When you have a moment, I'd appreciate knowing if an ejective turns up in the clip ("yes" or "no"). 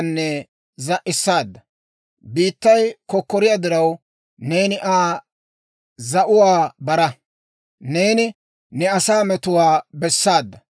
no